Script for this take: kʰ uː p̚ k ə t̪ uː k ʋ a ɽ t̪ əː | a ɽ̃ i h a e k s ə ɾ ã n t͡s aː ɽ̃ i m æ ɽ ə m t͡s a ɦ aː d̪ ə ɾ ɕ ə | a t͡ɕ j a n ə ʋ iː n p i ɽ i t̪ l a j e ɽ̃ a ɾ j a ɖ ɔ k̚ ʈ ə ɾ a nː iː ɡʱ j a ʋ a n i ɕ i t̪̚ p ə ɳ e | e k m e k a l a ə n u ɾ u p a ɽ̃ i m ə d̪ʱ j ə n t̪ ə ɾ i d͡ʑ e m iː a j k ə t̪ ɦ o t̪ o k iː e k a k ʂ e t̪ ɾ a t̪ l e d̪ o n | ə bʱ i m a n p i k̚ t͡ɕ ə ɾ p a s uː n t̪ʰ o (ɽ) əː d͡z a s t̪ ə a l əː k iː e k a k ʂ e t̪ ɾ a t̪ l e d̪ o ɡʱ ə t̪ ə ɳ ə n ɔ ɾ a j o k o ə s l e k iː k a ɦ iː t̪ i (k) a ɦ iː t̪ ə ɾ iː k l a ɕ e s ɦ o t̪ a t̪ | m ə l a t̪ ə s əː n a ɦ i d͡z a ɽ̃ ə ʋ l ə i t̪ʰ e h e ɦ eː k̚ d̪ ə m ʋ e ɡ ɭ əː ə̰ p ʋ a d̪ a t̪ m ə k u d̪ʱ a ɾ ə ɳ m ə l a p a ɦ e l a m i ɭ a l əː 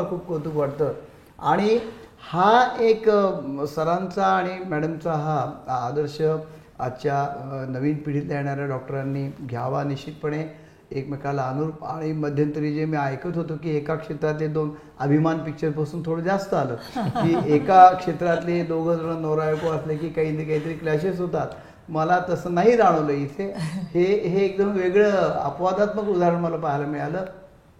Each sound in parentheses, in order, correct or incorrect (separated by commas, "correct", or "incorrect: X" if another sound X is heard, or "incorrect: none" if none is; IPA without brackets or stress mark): correct, correct